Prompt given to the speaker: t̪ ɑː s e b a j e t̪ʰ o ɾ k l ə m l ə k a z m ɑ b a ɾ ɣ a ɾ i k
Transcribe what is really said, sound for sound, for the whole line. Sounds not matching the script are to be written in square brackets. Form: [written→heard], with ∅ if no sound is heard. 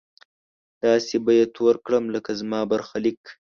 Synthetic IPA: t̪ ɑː s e b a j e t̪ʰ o ɾ k [l→ɽ] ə m l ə k a z m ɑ b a ɾ [ɣ→x] a [ɾ→l] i k